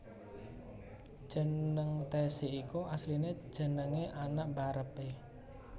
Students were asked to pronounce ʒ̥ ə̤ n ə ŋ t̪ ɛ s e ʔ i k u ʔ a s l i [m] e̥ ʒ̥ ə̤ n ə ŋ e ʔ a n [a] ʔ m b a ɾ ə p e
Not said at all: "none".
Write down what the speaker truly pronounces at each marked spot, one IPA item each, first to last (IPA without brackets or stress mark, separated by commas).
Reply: n, a